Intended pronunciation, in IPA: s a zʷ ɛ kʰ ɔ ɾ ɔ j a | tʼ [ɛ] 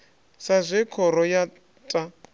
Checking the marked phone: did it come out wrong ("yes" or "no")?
yes